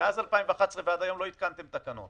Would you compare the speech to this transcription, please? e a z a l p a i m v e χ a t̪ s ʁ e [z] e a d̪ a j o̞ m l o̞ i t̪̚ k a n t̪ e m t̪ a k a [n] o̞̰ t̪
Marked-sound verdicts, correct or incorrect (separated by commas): incorrect, correct